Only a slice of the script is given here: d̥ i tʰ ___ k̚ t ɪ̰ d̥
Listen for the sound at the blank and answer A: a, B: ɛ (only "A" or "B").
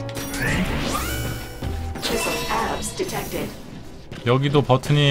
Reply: B